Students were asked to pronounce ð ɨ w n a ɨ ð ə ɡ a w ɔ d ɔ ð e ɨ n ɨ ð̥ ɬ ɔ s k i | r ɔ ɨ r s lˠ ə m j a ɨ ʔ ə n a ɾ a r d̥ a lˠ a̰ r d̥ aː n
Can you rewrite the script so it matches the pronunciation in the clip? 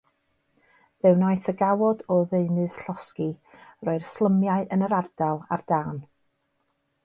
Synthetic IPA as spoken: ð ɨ w n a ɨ θ ə ɡ a w ɔ d ɔ ð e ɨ n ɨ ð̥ ɬ ɔ s k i | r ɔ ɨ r s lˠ ə m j a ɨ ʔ ə n ə ɾ a r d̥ a lˠ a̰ r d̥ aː n